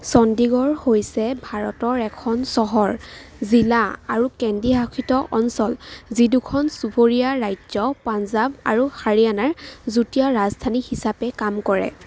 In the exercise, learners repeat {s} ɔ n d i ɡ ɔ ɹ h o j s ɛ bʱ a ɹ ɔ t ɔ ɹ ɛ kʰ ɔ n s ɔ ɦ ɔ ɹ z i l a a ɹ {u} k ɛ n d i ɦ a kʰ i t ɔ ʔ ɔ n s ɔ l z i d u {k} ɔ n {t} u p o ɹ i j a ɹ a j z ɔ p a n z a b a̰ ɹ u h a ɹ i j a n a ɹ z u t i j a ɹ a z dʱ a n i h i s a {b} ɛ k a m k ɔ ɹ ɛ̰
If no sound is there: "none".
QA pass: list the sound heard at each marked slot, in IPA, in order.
s, u, kʰ, s, p

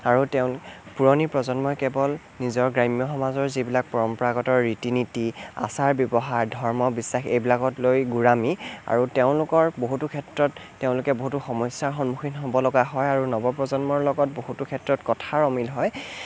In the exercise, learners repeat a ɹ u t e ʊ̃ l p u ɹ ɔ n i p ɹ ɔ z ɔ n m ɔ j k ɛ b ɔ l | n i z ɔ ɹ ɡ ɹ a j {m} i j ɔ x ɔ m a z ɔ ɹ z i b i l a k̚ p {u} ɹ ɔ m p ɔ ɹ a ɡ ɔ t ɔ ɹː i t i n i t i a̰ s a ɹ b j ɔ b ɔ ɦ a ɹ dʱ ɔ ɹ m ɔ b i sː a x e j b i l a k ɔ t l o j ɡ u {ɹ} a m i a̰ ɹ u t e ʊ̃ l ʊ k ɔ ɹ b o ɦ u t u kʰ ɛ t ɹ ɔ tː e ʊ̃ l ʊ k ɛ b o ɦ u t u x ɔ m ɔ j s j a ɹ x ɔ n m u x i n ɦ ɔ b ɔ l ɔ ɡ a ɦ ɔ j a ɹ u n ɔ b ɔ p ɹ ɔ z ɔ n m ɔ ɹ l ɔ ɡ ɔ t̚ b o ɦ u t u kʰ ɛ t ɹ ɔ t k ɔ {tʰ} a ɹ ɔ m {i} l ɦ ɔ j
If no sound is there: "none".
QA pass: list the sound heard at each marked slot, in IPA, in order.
m, ɔ, ɹ, tʰ, i

